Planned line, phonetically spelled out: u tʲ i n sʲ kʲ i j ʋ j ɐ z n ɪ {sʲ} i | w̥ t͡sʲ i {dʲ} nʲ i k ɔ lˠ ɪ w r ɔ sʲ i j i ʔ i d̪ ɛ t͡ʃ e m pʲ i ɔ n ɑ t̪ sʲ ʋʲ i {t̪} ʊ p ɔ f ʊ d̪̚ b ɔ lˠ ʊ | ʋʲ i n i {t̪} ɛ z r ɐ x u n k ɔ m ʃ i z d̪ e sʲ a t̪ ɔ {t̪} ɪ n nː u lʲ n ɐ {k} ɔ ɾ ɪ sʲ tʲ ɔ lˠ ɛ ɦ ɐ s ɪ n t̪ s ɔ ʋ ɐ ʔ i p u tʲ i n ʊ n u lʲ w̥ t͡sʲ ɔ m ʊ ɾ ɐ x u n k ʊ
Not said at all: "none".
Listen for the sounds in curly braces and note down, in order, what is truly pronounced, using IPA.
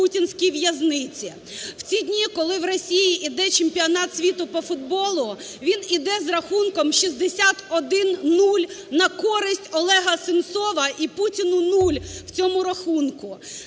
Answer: t͡sʲ, dʲ, t̪, d̪, d̪, k

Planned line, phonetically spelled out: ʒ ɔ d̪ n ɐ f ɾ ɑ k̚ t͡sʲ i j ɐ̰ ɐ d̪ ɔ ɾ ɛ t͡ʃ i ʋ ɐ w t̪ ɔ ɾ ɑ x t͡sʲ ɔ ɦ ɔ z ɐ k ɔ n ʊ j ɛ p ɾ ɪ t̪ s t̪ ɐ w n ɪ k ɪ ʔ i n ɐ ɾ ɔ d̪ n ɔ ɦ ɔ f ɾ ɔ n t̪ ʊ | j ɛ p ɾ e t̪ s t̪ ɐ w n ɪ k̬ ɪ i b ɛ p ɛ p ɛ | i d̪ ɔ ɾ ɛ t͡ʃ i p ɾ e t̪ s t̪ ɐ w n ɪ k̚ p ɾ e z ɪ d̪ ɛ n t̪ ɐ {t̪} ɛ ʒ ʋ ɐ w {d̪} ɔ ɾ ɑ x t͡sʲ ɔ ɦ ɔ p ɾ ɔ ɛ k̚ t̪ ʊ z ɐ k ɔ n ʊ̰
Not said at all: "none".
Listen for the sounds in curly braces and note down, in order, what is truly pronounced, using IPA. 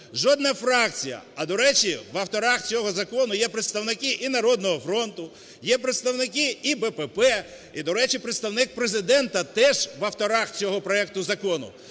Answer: t̪, t̪

